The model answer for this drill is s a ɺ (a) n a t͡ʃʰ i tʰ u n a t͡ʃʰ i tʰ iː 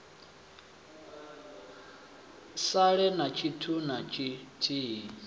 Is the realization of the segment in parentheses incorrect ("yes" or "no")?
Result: yes